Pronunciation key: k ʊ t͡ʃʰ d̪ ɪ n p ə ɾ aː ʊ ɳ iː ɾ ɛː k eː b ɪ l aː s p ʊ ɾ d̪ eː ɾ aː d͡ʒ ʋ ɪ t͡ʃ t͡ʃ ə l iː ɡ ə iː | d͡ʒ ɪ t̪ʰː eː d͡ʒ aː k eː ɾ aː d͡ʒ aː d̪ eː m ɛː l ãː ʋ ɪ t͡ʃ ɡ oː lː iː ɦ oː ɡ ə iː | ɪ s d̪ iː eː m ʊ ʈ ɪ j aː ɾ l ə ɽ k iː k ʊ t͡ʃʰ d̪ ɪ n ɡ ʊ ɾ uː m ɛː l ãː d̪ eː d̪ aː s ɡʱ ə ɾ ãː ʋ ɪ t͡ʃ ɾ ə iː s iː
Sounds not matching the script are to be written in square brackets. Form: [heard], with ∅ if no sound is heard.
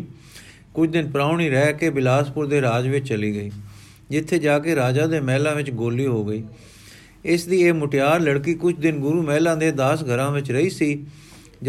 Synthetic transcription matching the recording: k ʊ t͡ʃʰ d̪ ɪ n p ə ɾ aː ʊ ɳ iː ɾ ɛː k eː b ɪ l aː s p ʊ ɾ d̪ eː ɾ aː d͡ʒ ʋ ɪ t͡ʃ t͡ʃ ə l iː ɡ ə iː | d͡ʒ ɪ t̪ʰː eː d͡ʒ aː k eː ɾ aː d͡ʒ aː d̪ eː m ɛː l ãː ʋ ɪ t͡ʃ ɡ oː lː iː ɦ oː ɡ ə iː | ɪ s d̪ iː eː m ʊ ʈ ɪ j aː ɾ l ə ɽ k iː k ʊ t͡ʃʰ d̪ ɪ n ɡ ʊ ɾ uː m ɛː l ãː d̪ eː d̪ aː s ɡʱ ə ɾ ãː ʋ ɪ t͡ʃ ɾ ə iː s iː